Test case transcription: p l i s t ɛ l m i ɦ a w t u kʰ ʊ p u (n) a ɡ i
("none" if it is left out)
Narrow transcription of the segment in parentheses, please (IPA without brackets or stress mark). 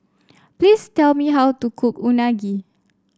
n